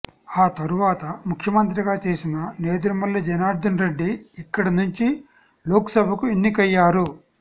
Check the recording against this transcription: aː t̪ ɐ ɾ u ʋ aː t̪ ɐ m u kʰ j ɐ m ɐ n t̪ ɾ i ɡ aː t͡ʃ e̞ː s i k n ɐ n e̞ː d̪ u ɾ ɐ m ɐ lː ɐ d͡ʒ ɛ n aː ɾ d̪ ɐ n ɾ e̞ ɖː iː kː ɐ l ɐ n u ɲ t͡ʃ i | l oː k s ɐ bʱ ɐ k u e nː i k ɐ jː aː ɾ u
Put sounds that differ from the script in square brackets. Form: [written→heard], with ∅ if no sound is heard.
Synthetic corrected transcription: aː t̪ ɐ ɾ u ʋ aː t̪ ɐ m u kʰ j ɐ m ɐ n t̪ ɾ i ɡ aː t͡ʃ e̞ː s i [k→∅] n ɐ n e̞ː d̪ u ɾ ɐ m ɐ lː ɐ d͡ʒ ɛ n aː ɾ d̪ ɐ n ɾ e̞ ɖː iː kː ɐ [l→ɽ] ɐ n u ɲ t͡ʃ i | l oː k s ɐ bʱ ɐ k u e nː i k ɐ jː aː ɾ u